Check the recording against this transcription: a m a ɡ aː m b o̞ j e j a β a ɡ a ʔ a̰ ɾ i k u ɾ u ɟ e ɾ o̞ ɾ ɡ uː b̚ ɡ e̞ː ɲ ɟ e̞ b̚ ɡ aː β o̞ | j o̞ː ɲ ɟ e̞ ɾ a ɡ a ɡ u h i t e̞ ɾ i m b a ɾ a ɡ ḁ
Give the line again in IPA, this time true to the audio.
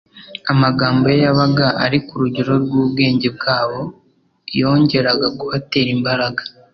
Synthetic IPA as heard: a m a ɡ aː m b o̞ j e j a β a ɡ a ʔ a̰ ɾ i k u ɾ u ɟ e ɾ o̞ ɾ ɡ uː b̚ ɡ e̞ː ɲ ɟ e̞ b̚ ɡ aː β o̞ | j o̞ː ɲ ɟ e̞ ɾ a ɡ a ɡ u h a t e̞ ɾ i m b a ɾ a ɡ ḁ